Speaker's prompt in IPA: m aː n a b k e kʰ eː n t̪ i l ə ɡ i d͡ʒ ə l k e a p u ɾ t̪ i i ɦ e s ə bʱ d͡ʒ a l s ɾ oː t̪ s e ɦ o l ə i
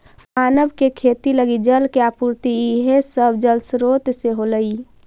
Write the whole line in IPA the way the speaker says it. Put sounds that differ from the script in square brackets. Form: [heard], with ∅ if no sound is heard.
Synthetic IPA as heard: m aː n [ə] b k e kʰ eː [∅] t̪ i l ə ɡ i d͡ʒ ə l k e a p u ɾ t̪ i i ɦ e s ə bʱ d͡ʒ [ə] l s ɾ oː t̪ s e ɦ o l ə i